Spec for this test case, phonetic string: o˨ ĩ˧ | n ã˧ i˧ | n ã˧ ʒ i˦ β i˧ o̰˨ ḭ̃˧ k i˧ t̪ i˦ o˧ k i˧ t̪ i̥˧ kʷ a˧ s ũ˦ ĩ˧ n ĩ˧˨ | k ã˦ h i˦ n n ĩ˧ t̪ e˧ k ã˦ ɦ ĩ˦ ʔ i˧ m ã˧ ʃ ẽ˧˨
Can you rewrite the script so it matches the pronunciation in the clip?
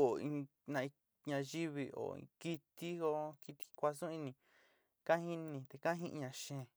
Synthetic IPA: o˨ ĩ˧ | n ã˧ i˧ | ɲ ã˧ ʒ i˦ β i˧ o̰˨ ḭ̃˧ k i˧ t̪ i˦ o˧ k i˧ t̪ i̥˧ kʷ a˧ s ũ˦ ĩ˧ n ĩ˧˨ | k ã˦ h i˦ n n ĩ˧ t̪ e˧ k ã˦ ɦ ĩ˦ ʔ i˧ ɲ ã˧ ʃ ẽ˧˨

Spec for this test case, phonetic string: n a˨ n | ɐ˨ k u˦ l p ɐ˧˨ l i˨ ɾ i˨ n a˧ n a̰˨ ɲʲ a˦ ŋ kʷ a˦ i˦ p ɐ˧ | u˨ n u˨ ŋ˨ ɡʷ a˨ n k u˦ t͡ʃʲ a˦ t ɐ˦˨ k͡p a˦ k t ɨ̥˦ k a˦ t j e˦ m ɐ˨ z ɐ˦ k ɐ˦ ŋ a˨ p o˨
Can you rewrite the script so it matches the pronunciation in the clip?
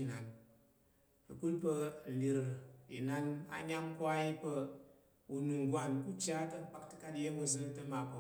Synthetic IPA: n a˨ n | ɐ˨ k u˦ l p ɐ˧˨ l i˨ ɾ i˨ n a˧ n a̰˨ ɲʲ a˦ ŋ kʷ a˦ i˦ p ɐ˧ | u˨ n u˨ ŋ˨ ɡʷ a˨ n k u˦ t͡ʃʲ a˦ t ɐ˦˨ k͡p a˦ k t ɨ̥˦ k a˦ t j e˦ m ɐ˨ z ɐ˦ t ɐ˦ m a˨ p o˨

